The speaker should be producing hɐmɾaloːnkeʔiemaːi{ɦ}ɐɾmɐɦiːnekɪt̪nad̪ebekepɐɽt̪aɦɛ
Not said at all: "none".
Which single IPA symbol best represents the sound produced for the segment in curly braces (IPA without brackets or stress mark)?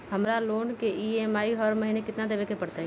ɦ